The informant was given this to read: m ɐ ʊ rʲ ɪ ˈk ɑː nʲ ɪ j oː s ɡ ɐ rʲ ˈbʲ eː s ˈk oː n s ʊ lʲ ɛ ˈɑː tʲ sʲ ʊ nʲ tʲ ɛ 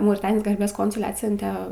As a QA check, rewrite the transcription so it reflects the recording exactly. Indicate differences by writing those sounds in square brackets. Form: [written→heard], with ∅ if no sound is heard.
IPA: m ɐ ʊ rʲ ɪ [ˈk→ˈt] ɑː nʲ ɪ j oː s ɡ ɐ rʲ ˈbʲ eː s ˈk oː n s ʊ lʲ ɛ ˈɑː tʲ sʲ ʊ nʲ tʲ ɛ